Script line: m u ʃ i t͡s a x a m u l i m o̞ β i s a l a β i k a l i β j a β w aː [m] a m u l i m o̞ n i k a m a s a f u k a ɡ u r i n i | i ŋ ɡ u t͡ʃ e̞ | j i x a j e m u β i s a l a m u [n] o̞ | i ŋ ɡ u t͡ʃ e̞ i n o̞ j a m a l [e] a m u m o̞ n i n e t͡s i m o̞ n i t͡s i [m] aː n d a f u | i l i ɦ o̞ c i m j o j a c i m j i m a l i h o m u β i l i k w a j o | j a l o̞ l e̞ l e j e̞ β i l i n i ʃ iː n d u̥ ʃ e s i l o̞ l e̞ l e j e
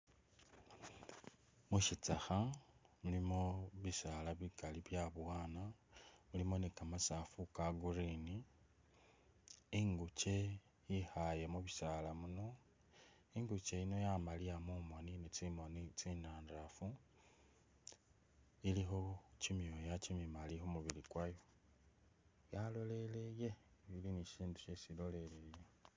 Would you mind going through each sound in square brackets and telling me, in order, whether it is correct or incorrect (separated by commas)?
incorrect, correct, incorrect, incorrect